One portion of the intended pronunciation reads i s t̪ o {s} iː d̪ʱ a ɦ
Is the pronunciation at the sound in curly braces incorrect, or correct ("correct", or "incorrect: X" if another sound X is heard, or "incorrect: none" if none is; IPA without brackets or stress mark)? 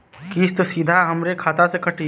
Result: correct